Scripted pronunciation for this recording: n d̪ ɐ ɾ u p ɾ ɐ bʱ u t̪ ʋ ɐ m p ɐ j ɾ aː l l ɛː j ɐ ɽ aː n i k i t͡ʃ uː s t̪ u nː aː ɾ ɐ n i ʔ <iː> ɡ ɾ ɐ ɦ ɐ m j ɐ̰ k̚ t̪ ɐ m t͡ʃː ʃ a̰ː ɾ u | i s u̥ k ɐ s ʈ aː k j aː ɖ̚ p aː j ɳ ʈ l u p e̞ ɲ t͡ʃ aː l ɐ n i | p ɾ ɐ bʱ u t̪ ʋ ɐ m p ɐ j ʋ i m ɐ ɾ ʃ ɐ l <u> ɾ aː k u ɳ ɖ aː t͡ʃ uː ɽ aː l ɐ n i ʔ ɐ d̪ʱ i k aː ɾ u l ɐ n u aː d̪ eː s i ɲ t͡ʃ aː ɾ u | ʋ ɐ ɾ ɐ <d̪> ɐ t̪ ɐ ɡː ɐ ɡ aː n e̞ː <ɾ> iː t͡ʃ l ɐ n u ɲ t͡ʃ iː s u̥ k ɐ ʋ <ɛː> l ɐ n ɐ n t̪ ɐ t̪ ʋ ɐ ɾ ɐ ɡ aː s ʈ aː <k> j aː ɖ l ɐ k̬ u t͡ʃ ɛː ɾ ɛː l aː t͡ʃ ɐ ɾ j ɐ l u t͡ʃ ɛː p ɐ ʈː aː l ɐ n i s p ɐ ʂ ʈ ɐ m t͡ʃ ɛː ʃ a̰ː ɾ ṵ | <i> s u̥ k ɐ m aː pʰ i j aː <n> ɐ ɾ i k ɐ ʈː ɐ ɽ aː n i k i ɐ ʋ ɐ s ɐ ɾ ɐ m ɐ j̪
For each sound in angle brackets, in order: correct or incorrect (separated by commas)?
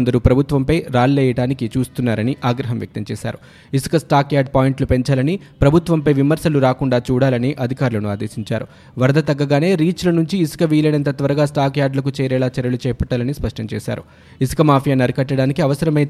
incorrect, correct, correct, correct, incorrect, correct, correct, correct